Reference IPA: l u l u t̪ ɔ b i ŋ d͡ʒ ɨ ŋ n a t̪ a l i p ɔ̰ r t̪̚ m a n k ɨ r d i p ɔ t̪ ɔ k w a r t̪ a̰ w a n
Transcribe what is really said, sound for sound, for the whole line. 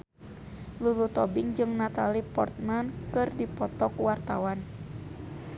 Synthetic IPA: l u l u t̪ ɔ b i ŋ d͡ʒ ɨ ŋ n a t̪ a l i p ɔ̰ r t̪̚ m a n k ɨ r d i p ɔ t̪ ɔ k w a r t̪ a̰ w a n